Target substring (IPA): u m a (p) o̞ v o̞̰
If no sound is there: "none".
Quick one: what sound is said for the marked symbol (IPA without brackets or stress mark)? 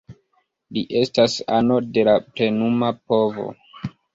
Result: p